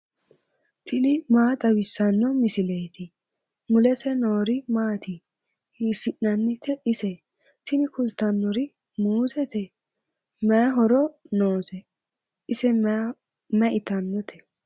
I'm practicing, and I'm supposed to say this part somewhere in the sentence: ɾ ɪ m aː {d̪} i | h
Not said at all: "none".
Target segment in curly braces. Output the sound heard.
t̪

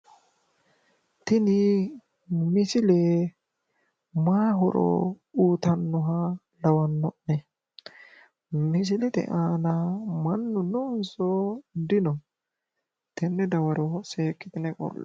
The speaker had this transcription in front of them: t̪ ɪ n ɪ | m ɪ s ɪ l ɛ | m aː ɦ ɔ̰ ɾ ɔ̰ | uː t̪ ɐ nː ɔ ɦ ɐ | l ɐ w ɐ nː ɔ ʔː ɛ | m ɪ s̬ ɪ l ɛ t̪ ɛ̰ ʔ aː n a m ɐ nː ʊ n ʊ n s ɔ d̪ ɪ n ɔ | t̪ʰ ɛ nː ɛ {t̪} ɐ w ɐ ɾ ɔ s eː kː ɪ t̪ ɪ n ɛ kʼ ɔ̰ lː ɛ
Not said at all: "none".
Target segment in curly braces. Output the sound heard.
d̪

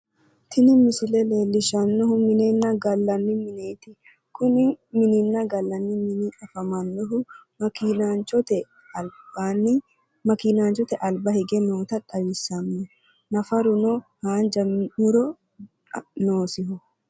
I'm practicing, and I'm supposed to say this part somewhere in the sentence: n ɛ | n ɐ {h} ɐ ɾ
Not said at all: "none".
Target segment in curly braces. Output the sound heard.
f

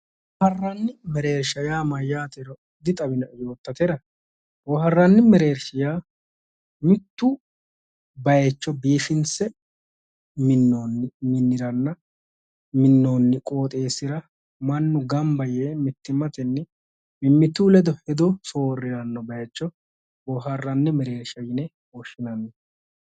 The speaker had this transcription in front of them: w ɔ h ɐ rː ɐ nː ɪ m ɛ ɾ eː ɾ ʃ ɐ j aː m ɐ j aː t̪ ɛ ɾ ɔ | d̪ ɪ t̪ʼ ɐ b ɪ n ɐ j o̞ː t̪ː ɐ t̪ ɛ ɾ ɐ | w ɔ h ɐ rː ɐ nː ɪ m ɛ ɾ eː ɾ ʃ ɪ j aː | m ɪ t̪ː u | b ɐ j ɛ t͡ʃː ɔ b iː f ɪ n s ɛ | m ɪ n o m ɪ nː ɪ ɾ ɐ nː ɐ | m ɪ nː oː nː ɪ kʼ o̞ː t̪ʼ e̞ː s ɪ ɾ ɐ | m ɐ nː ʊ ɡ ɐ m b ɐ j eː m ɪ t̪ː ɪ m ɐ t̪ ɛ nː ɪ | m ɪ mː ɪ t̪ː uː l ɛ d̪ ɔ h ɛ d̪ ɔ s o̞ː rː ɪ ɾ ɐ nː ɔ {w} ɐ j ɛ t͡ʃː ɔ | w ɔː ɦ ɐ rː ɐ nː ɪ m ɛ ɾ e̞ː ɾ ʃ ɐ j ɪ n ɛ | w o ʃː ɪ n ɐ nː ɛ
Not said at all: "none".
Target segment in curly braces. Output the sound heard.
b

